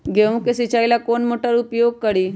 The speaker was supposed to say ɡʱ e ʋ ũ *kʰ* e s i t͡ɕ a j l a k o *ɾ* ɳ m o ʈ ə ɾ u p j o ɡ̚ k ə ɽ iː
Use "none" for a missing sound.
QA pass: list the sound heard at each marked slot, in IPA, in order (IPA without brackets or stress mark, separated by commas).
k, none